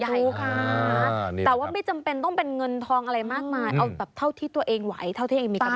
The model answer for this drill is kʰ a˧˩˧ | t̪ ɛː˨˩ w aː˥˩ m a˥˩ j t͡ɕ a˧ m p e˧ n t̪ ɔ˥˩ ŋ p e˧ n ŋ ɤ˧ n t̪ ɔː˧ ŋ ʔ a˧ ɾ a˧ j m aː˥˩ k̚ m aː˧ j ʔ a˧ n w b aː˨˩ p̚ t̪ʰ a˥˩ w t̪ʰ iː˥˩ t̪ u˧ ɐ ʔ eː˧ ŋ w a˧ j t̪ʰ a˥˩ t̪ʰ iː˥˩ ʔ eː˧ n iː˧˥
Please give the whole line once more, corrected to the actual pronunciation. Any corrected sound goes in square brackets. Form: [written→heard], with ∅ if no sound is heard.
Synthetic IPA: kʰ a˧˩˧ | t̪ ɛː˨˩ w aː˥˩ m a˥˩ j t͡ɕ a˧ m p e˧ n t̪ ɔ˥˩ ŋ p e˧ n ŋ ɤ˧ n [t̪→t̪ʰ] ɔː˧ ŋ ʔ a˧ ɾ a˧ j m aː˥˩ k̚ m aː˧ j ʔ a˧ [n→∅] w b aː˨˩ p̚ t̪ʰ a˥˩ w t̪ʰ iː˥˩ t̪ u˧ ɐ ʔ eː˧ ŋ w [a˧→a˩˦] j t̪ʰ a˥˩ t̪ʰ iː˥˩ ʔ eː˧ [n→m] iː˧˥